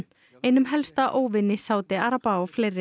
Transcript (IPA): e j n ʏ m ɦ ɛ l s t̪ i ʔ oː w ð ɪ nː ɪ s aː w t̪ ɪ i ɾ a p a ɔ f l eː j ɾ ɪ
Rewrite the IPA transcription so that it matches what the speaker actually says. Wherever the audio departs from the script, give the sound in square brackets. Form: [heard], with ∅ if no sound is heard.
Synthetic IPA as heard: e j n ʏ m ɦ ɛ l s t̪ [a] ʔ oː w [v] ɪ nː ɪ s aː w t̪ ɪ [a] ɾ a p a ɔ f l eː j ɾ ɪ